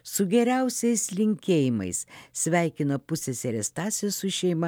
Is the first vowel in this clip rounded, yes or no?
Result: yes